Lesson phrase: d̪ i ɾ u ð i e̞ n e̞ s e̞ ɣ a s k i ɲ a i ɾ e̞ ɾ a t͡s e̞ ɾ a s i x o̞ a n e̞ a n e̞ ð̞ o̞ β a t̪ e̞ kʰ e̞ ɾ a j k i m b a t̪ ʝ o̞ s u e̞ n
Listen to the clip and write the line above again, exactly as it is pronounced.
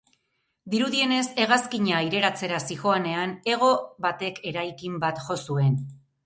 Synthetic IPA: d̪ i ɾ u ð i e̞ n e̞ s e̞ ɣ a s k i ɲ a i ɾ e̞ ɾ a t͡s e̞ ɾ a s i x o̞ a n e̞ a n e̞ ɣ̞ o̞ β a t̪ e̞ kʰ e̞ ɾ a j k i m b a t̪ ʝ o̞ s u e̞ n